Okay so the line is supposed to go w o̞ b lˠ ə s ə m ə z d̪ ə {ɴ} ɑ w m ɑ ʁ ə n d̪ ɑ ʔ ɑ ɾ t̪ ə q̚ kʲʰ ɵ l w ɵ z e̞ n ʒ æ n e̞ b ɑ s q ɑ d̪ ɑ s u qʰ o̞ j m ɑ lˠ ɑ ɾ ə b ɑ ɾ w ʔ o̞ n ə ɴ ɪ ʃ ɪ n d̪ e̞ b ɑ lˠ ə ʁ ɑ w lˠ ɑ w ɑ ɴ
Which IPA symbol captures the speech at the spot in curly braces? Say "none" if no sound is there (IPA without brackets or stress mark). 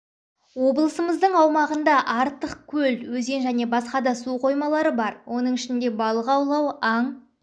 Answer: ɴ